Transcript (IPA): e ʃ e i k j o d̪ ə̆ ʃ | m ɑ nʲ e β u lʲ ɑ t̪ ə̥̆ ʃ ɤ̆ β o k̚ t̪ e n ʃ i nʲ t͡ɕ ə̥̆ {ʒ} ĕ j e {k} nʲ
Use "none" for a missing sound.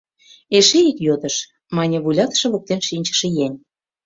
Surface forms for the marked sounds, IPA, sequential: ʃ, none

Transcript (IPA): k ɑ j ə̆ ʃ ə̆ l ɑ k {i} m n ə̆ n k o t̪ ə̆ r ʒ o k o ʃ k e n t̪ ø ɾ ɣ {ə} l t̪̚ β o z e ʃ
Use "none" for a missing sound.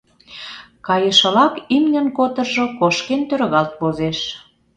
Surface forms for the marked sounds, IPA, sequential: i, ɑ

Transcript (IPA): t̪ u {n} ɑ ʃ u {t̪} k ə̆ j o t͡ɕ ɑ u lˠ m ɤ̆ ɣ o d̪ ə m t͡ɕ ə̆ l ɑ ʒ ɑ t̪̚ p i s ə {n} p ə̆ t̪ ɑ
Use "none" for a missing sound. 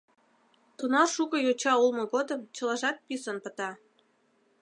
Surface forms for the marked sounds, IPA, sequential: n, none, n

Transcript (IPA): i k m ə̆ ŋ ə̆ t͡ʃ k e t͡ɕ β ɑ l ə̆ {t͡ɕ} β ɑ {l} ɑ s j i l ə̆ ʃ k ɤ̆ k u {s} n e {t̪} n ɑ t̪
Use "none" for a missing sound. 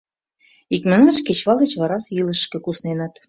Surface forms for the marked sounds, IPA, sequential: t͡ɕ, ɾ, s, none

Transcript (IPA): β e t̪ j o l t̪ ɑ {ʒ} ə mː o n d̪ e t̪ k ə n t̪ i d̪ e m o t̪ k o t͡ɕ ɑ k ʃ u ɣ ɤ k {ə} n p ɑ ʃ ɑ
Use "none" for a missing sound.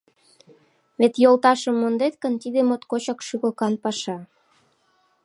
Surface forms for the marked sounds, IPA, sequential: ʃ, ɑ

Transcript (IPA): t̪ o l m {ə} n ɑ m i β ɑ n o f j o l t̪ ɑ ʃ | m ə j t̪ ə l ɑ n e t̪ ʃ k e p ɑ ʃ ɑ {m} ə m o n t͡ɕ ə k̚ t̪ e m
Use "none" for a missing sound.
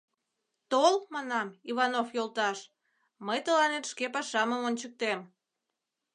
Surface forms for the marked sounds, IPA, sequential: ɑ, m

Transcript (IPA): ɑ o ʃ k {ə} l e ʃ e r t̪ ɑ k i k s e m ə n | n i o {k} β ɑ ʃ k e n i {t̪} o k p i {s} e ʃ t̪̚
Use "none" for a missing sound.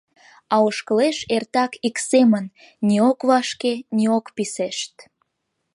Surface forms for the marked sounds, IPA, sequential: ə, k, none, s

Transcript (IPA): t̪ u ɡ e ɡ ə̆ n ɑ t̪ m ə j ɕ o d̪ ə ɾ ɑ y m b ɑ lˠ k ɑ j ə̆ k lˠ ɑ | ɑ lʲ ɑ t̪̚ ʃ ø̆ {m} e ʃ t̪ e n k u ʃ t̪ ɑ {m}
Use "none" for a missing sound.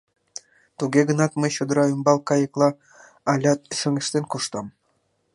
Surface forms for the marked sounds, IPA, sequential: ŋ, m

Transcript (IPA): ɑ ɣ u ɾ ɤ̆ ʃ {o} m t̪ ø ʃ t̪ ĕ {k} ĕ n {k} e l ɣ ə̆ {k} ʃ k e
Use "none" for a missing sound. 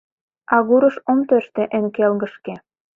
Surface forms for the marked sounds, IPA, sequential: o, ʔ, k, none

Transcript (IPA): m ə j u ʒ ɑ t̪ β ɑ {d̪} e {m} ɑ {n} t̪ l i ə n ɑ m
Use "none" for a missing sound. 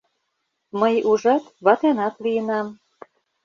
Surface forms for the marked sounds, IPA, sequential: t̪, n, none

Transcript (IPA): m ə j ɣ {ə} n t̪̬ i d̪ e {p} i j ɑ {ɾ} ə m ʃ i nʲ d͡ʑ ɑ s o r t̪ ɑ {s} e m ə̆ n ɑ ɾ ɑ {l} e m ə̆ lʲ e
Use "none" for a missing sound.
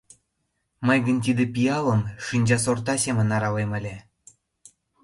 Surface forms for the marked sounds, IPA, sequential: ə, p, l, s, l

